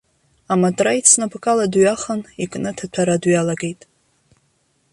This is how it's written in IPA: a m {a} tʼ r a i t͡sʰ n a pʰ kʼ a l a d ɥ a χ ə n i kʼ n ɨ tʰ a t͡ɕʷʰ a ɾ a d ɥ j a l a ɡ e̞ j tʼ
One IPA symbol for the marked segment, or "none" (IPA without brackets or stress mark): a